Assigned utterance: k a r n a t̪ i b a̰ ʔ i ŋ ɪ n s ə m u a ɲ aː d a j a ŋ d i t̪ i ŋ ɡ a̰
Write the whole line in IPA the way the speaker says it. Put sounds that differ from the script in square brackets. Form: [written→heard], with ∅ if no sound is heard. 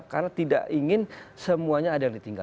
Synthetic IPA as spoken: k a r n a t̪ i [b→d] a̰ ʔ i ŋ ɪ n s ə m u a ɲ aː d a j a ŋ d i t̪ i ŋ ɡ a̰